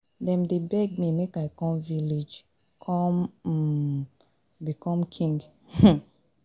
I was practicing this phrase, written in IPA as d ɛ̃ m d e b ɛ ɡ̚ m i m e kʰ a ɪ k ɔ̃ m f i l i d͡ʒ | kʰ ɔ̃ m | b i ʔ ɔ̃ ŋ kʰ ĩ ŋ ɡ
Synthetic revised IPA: d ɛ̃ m d e b ɛ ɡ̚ m i m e k a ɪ k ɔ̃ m v i l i d͡ʒ | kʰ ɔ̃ m | b i k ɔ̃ m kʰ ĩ ŋ ɡ